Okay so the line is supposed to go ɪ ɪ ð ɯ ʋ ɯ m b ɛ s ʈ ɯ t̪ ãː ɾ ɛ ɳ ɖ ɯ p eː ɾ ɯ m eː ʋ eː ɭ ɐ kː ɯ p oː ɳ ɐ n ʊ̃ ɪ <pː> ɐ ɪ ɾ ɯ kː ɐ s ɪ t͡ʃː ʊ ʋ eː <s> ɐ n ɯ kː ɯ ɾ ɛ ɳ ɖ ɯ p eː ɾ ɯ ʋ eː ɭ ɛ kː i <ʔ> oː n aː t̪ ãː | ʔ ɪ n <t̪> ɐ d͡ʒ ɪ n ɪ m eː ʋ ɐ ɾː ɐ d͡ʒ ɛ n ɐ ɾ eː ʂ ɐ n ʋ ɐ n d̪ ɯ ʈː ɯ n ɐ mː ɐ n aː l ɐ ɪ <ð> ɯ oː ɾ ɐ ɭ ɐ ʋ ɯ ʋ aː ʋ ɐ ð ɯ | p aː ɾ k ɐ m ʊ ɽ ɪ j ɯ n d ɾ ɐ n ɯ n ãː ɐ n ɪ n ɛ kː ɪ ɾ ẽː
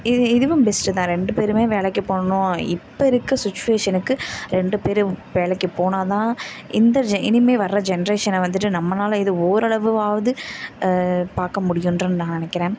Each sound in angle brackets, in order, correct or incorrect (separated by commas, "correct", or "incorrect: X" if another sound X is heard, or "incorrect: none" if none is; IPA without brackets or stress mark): correct, incorrect: ʂ, incorrect: p, incorrect: d̪, correct